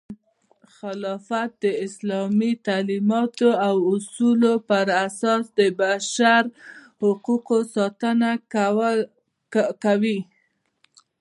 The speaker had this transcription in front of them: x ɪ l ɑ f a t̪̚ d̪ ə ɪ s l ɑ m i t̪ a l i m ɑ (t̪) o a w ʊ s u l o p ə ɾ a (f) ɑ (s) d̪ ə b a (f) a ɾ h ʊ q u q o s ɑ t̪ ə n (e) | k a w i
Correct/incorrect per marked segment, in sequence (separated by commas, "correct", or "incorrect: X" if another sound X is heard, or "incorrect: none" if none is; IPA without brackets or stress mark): correct, incorrect: s, correct, incorrect: ʃ, incorrect: a